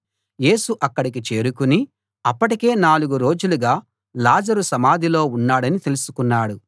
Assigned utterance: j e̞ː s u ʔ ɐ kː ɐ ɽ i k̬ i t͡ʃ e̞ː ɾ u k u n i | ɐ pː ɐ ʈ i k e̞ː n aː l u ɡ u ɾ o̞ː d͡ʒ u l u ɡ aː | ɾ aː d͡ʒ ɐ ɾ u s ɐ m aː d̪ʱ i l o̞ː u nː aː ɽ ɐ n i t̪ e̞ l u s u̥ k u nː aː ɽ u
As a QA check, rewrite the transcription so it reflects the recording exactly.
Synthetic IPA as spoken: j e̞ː s u ʔ ɐ kː ɐ ɽ i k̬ i t͡ʃ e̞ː ɾ u k u n i | ɐ pː ɐ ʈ i k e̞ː n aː l u ɡ u ɾ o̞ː d͡ʒ u l u ɡ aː | l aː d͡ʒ ɐ ɾ u s ɐ m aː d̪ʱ i l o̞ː u nː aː ɽ ɐ n i t̪ e̞ l u s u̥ k u nː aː ɽ u